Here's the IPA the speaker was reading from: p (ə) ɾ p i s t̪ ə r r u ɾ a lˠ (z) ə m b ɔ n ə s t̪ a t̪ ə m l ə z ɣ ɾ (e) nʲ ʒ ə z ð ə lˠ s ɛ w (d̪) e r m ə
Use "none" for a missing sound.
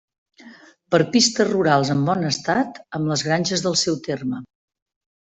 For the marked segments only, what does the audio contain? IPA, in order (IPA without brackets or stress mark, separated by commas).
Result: ə, z, a, t̪